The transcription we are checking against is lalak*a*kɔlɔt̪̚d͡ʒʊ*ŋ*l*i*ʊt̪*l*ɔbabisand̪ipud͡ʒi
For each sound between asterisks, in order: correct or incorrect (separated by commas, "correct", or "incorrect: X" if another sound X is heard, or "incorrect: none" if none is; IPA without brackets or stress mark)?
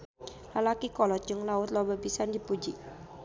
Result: incorrect: i, correct, incorrect: a, correct